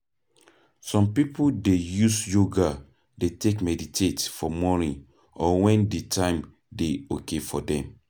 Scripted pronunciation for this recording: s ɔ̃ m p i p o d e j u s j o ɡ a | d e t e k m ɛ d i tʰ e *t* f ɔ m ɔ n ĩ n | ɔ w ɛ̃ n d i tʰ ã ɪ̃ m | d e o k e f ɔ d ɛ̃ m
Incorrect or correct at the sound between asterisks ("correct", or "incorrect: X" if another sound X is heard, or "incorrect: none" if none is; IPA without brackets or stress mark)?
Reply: correct